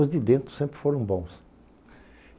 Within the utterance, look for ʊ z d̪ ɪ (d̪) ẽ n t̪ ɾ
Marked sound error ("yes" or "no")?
no